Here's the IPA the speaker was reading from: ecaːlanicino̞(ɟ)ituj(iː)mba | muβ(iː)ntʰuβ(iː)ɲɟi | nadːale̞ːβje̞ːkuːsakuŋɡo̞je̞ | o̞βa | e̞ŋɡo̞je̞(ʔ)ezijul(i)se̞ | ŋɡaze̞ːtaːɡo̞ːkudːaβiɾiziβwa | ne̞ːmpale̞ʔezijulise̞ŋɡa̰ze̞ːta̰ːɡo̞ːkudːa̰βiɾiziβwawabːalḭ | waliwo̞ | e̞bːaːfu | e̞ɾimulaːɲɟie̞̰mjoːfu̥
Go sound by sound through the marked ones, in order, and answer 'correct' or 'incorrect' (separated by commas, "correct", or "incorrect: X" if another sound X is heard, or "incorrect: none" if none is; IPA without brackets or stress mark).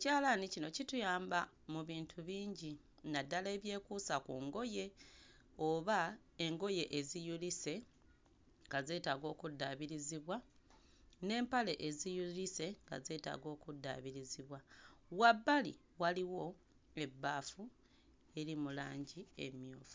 incorrect: c, incorrect: aː, correct, correct, correct, correct